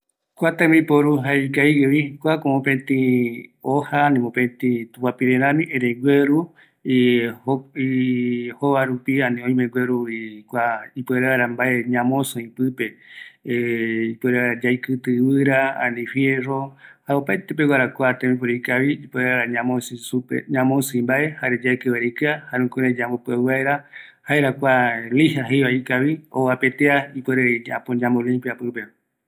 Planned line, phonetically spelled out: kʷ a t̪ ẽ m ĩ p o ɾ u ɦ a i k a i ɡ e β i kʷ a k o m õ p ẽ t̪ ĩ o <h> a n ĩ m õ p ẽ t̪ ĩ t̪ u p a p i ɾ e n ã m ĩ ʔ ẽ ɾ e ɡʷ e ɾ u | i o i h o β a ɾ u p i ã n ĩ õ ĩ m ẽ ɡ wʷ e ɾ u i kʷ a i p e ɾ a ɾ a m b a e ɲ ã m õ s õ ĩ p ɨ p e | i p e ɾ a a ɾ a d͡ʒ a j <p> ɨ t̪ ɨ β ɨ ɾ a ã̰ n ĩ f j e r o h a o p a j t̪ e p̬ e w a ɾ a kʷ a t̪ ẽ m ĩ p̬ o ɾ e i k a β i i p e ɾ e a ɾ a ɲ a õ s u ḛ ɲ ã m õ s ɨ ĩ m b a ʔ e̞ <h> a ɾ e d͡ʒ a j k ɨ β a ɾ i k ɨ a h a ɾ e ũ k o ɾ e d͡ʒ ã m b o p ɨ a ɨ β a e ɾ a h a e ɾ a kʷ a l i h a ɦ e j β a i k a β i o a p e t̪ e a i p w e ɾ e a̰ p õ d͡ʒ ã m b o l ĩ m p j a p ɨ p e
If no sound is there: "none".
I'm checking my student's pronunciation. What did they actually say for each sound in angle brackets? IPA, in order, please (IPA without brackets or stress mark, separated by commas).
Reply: h, k, h